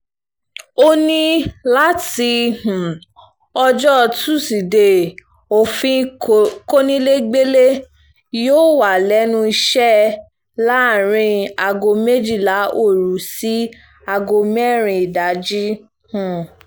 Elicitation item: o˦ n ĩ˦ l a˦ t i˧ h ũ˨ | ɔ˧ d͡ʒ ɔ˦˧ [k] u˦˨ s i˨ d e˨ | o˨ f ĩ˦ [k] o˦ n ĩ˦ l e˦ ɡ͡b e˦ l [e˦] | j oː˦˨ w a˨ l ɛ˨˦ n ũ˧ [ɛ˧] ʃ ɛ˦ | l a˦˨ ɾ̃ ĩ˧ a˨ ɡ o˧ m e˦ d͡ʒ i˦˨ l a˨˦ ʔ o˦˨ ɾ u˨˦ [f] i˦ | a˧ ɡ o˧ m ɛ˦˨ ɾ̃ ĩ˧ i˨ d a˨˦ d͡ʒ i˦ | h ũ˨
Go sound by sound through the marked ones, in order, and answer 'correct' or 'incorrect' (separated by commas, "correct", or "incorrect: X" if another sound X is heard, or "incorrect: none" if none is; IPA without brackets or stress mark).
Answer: incorrect: t, correct, correct, incorrect: i˧, incorrect: s